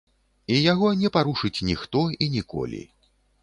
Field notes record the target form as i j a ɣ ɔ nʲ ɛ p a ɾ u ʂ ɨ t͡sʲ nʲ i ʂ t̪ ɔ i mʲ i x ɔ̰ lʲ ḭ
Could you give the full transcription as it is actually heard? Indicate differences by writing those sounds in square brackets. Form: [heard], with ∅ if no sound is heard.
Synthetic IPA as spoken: i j a ɣ ɔ nʲ ɛ p a ɾ u ʂ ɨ t͡sʲ nʲ i [x] t̪ ɔ i [nʲ] i [k] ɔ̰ lʲ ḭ

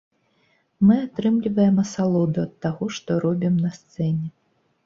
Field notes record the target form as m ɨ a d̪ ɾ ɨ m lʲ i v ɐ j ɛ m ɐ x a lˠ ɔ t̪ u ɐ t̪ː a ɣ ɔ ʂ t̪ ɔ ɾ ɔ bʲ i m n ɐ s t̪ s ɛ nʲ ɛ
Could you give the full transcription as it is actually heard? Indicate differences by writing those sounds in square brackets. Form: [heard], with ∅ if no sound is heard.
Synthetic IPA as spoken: m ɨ a [t̪] ɾ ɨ m lʲ i v ɐ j ɛ m ɐ [s] a lˠ ɔ [d̪] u ɐ t̪ː a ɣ ɔ ʂ t̪ ɔ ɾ ɔ bʲ i m n ɐ s t̪ s ɛ nʲ ɛ

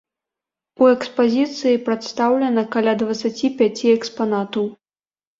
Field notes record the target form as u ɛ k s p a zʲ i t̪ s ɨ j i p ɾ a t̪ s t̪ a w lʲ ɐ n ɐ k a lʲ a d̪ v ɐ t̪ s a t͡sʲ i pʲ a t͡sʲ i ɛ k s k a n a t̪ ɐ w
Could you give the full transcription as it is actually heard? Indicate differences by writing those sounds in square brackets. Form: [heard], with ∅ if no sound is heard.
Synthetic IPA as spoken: u ɛ k s p a zʲ i t̪ s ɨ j i p ɾ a t̪ s t̪ a w lʲ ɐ n ɐ k a lʲ a d̪ v ɐ t̪ s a t͡sʲ i pʲ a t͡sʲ i ɛ k s [p] a n a t̪ ɐ w

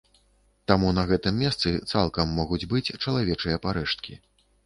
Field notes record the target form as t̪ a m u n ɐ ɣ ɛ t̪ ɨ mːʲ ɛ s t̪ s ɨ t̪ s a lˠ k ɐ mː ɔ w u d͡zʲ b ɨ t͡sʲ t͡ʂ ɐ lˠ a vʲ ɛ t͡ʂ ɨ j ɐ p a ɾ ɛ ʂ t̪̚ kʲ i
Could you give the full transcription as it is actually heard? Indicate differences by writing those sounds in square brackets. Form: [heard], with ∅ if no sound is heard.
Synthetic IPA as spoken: t̪ a m u n ɐ ɣ ɛ t̪ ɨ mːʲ ɛ s t̪ s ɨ t̪ s a lˠ k ɐ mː ɔ [ɣ] u d͡zʲ b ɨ t͡sʲ t͡ʂ ɐ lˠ a vʲ ɛ t͡ʂ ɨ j ɐ p a ɾ ɛ ʂ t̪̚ kʲ i

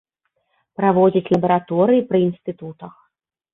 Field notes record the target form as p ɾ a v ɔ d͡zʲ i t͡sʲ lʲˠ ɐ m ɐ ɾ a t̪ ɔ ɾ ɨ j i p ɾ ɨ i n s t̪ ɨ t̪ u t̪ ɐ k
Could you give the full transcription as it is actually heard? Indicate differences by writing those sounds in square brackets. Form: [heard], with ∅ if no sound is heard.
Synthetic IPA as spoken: p ɾ a v ɔ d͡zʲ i t͡sʲ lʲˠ ɐ [b] ɐ ɾ a t̪ ɔ ɾ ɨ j i p ɾ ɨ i n s t̪ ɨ t̪ u t̪ ɐ [x]

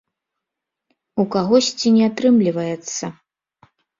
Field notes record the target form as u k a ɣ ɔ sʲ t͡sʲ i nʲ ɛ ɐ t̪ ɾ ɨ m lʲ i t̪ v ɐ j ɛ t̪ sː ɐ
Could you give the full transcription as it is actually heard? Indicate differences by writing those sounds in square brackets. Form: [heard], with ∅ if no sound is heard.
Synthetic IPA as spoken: u k a ɣ ɔ sʲ t͡sʲ i nʲ ɛ [a] t̪ ɾ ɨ m lʲ i [∅] v ɐ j ɛ t̪ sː ɐ

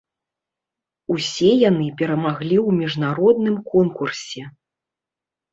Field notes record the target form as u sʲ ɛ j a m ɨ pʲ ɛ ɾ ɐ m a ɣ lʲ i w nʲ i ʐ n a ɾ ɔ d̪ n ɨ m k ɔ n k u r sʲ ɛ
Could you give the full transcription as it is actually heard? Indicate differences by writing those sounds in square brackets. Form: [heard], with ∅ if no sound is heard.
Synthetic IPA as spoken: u sʲ ɛ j a [n] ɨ pʲ ɛ ɾ ɐ m a ɣ lʲ i w [mʲ] i ʐ n a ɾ ɔ d̪ n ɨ m k ɔ n k u r sʲ ɛ

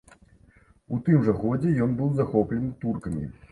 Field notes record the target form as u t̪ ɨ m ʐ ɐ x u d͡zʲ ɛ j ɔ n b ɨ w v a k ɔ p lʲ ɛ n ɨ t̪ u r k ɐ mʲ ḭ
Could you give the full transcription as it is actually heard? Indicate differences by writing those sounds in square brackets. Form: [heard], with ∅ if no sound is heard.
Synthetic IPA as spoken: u t̪ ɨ m ʐ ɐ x [ɔ] d͡zʲ ɛ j ɔ n b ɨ w [z] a [x] ɔ p lʲ ɛ n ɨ t̪ u r k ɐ mʲ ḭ

